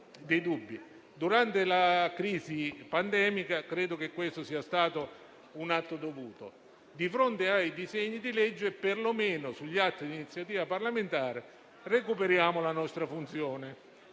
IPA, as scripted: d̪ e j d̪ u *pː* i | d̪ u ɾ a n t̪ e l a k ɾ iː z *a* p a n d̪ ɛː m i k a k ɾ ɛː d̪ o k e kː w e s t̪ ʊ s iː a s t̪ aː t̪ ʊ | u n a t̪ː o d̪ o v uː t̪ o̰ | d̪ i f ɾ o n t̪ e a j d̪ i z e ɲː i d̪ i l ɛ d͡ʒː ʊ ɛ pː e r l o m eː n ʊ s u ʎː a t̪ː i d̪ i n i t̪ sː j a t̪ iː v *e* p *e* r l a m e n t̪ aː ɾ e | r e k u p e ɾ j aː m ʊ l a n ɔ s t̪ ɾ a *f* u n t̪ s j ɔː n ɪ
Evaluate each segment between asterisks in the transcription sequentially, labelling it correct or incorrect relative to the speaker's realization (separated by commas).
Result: incorrect, incorrect, incorrect, incorrect, correct